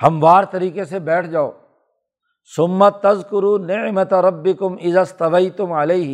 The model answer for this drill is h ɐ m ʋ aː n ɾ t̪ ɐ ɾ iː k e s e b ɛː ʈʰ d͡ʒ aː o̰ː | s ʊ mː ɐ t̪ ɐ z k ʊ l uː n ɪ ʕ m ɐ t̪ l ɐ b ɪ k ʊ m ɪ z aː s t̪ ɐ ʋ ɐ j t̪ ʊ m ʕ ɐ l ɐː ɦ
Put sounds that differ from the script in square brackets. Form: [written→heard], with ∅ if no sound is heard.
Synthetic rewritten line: h ɐ m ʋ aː [n→∅] ɾ t̪ ɐ ɾ iː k e s e b ɛː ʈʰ d͡ʒ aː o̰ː | s ʊ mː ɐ t̪ ɐ z k ʊ [l→ɾ] uː n ɪ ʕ m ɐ t̪ [l→ɾ] ɐ [b→bː] ɪ k ʊ m ɪ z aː s t̪ ɐ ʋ ɐ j t̪ ʊ m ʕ ɐ l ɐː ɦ